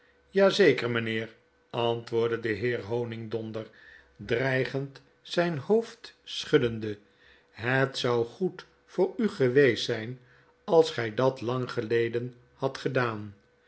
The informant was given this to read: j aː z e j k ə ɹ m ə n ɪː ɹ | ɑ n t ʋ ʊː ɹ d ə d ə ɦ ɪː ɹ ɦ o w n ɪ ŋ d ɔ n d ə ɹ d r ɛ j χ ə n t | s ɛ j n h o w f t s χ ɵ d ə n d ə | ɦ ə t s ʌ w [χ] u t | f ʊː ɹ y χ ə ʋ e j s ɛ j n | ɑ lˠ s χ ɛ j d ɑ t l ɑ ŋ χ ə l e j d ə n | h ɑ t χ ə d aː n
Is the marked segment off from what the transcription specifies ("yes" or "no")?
no